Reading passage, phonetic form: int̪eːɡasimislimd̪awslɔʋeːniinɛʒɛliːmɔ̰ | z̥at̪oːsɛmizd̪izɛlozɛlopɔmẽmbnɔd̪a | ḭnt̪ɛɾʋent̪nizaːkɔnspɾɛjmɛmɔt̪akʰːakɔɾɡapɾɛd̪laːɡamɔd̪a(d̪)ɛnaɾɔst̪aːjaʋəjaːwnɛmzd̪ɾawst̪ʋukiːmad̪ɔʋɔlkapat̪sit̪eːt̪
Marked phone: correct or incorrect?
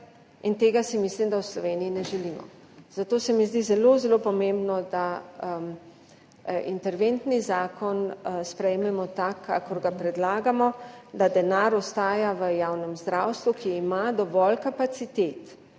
correct